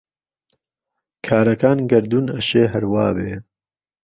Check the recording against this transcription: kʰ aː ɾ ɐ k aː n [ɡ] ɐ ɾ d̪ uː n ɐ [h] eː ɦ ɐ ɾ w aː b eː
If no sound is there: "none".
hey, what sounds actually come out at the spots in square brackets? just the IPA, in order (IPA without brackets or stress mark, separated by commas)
ɡ, ʃ